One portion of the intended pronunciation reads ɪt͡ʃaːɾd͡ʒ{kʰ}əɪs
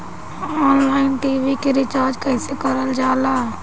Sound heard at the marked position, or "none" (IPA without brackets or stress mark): k